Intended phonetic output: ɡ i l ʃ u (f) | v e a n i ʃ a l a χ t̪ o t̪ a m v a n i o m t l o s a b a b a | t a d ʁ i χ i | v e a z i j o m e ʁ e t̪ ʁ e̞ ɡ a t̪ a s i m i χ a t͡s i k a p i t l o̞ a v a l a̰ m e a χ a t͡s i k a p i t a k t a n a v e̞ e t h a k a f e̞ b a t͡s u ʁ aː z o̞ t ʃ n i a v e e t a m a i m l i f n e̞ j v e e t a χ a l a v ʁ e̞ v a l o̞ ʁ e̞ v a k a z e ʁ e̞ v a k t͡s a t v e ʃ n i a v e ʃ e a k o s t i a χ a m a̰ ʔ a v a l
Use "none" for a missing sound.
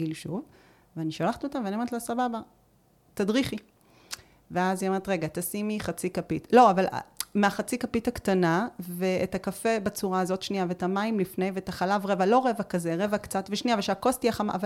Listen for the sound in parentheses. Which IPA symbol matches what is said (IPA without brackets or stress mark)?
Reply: v